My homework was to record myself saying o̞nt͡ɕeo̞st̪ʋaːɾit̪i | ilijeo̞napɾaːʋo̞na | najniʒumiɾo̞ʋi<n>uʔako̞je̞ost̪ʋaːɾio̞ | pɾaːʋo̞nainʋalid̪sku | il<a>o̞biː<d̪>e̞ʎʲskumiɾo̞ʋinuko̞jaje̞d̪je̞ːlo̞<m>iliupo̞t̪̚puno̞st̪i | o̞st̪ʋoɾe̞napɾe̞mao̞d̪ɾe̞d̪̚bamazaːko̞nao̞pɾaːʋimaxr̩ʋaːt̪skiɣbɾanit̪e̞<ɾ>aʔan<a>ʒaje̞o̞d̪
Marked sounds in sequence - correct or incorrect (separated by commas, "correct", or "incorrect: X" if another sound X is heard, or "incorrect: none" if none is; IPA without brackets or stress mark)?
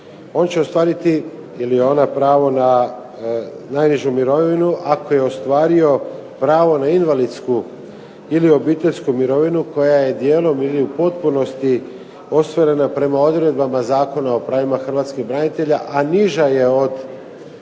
correct, incorrect: i, incorrect: t̪, correct, incorrect: ʎ, incorrect: i